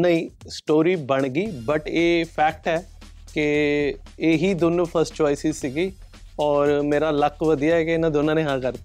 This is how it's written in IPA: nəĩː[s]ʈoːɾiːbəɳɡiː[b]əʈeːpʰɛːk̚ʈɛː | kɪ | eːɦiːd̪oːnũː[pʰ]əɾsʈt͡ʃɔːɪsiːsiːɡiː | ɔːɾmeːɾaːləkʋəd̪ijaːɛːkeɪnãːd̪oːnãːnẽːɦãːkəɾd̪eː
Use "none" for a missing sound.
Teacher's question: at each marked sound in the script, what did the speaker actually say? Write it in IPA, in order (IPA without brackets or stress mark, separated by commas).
s, b, pʰ